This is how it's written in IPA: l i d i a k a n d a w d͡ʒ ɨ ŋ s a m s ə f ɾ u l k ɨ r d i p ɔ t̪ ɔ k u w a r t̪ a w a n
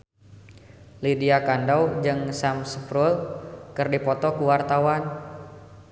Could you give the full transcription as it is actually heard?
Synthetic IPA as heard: l i d i a k a n d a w d͡ʒ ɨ ŋ s a m s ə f ɾ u l k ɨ r d i p ɔ t̪ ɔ k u w a r t̪ a w a n